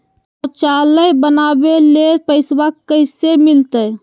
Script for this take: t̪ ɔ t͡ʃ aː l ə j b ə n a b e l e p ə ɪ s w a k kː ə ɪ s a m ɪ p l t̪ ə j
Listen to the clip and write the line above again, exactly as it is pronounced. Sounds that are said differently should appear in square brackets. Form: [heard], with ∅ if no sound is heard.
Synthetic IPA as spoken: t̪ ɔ t͡ʃ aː l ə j b ə n a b e l e p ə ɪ s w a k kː ə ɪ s [e] m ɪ [∅] l t̪ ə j